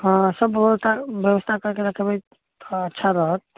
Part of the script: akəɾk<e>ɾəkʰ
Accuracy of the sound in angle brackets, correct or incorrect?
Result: correct